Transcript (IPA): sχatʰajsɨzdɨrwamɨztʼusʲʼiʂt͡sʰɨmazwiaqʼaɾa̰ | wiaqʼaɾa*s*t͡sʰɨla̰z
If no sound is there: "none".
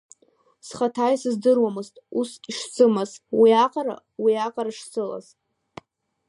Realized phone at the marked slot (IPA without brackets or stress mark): ʂ